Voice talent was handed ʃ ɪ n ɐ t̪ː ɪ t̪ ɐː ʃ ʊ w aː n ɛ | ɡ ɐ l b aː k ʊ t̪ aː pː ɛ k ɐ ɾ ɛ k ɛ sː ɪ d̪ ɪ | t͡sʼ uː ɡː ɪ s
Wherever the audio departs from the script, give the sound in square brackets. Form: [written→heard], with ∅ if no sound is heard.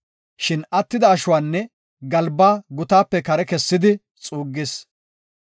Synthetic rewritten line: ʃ ɪ n ɐ t̪ː ɪ [t̪→d̪] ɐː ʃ ʊ w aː [n→nː] ɛ | ɡ ɐ l b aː [k→ɡ] ʊ t̪ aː pː ɛ k ɐ ɾ ɛ k ɛ sː ɪ d̪ ɪ | t͡sʼ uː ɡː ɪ s